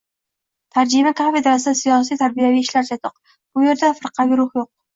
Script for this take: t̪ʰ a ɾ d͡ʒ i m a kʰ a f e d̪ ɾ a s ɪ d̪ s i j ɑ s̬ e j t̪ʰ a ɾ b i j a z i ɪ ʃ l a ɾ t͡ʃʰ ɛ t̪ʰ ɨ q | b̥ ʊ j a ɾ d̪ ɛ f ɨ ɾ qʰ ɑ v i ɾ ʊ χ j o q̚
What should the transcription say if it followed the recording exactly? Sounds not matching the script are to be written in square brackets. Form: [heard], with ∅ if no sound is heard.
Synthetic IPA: t̪ʰ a ɾ d͡ʒ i m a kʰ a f e d̪ ɾ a s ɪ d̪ s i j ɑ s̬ [i] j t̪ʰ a ɾ b i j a [v] i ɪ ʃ l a ɾ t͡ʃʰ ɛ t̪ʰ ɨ q | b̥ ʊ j [e] ɾ d̪ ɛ f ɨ ɾ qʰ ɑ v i ɾ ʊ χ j o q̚